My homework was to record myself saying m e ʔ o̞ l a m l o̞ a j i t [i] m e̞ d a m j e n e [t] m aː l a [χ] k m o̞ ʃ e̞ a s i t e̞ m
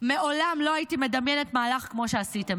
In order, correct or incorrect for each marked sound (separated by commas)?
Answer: correct, correct, correct